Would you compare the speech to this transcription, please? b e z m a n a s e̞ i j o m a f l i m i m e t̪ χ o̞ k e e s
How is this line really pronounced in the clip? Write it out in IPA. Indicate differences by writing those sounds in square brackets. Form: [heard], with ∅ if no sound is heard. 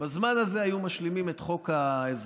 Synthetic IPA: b [a] z m a n a [z] e̞ [a] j [u] m a [ʃ] l i m i m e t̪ χ o̞ k [a] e [z]